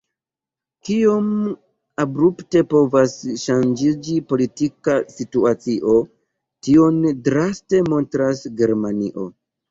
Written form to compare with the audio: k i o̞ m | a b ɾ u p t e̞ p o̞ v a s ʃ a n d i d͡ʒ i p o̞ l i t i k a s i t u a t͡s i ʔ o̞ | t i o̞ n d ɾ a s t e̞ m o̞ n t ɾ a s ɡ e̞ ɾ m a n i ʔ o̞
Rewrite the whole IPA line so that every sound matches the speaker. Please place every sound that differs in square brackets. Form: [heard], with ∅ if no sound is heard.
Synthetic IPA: k i o̞ m | a b ɾ u p t e̞ p o̞ v a s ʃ a n [d͡ʒ] i d͡ʒ i p o̞ l i t i k a s i t u a t͡s i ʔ o̞ | t i o̞ n d ɾ a s t e̞ m o̞ n t ɾ a s ɡ e̞ ɾ m a n i ʔ o̞